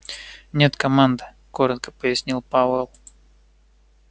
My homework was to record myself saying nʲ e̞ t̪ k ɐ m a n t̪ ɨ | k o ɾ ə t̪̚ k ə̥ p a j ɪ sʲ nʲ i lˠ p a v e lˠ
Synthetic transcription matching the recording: nʲ e̞ t̪ k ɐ m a n d̪ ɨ | k o ɾ ə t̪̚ k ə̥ p ə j ɪ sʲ nʲ i lˠ p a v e lˠ